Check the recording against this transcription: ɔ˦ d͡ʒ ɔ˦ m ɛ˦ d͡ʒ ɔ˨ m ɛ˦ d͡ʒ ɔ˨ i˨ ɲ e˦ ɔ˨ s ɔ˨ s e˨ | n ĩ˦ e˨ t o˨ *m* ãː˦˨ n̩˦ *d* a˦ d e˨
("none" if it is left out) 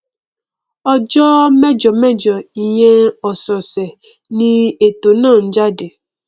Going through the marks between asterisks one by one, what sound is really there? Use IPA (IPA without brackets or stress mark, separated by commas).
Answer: n, d͡ʒ